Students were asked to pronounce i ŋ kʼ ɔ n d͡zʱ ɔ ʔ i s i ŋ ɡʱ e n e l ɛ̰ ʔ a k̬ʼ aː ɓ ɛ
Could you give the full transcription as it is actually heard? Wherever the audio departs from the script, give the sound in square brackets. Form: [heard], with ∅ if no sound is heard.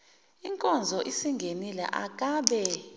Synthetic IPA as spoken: i ŋ kʼ ɔ n d͡zʱ ɔ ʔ i s i ŋ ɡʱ e n [i] l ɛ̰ ʔ a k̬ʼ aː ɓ ɛ